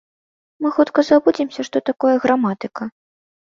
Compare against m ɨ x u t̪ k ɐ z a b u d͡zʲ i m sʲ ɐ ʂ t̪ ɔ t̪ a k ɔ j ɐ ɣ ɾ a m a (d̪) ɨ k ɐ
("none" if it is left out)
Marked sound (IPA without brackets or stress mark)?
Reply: t̪